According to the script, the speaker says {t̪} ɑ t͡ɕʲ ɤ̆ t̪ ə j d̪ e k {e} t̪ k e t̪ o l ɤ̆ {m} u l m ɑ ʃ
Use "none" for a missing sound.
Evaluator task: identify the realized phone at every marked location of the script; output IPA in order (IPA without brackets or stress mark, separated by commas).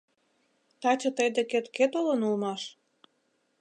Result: t̪, e, n